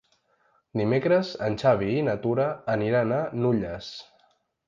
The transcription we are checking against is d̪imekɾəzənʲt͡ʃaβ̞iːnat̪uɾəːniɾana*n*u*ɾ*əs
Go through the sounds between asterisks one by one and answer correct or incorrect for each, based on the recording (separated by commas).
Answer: correct, incorrect